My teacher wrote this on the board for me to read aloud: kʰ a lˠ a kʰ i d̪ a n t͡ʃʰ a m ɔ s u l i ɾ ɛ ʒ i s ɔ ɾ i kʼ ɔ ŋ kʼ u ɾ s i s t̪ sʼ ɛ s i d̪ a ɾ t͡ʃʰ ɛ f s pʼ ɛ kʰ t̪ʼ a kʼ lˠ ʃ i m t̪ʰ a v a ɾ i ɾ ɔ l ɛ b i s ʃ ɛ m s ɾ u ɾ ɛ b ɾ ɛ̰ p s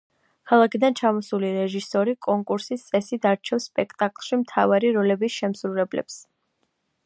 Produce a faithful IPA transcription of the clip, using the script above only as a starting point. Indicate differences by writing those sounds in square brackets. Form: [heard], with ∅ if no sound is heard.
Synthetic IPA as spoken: kʰ a lˠ a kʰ i d̪ a n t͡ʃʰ a m ɔ s u l i ɾ ɛ ʒ i s ɔ ɾ i kʼ ɔ ŋ kʼ u ɾ s i s t̪ sʼ ɛ s i d̪ a ɾ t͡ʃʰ ɛ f s pʼ ɛ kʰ t̪ʼ a kʼ lˠ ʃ i m t̪ʰ a v a ɾ i ɾ ɔ l ɛ b i s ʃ ɛ m s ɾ u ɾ ɛ b [l] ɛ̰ p s